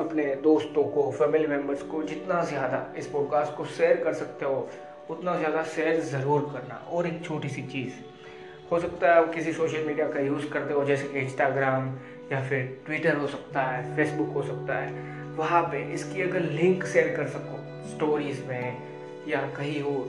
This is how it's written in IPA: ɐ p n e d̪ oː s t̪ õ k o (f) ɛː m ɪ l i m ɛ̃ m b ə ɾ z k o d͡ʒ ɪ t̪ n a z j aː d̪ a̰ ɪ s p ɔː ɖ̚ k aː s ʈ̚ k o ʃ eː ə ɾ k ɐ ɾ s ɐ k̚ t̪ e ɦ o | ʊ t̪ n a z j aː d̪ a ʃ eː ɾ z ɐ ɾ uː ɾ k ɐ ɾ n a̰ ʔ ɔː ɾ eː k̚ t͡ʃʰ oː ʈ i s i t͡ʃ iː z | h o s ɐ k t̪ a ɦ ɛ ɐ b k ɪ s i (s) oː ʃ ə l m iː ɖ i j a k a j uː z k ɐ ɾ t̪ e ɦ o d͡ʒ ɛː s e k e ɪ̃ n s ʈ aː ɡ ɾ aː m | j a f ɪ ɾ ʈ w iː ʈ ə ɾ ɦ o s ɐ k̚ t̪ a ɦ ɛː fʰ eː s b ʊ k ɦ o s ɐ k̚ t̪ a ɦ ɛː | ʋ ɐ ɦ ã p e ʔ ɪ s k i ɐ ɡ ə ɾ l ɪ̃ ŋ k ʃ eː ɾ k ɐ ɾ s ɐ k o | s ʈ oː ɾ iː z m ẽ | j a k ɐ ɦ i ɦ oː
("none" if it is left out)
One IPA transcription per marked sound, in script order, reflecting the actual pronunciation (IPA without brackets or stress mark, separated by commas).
f, s